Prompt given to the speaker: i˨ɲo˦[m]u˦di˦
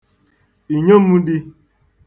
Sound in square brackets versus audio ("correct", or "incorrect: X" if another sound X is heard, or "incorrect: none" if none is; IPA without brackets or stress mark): correct